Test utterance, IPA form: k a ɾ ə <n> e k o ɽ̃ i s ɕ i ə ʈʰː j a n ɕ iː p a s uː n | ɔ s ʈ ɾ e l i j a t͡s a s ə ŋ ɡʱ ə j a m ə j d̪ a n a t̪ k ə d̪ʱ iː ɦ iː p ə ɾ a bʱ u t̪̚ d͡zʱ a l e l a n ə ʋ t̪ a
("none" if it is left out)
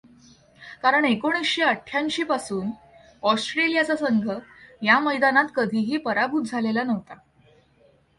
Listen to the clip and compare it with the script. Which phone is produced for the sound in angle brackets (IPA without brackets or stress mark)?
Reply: ɳ